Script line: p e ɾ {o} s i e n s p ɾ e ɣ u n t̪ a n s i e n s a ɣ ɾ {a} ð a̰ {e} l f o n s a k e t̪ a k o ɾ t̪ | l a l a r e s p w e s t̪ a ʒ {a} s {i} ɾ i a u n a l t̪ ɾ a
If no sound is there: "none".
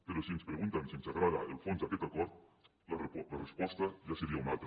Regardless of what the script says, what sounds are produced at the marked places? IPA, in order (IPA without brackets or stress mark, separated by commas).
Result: o, a, e, a, e